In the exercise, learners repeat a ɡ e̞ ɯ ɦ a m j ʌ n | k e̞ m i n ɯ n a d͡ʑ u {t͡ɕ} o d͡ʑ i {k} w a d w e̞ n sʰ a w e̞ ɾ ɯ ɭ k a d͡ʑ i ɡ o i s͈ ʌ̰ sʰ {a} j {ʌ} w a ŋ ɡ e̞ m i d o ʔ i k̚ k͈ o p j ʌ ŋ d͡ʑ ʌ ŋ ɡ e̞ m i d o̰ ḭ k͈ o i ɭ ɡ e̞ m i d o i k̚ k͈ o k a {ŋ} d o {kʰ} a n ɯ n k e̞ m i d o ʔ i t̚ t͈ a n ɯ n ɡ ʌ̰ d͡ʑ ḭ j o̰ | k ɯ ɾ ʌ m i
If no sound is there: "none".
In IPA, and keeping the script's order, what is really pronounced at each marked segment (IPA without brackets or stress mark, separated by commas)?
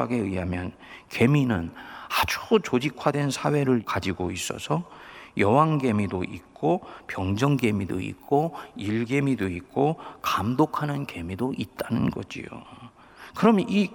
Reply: t͡ɕ, kʰ, ʌ, ʌ, m, kʰ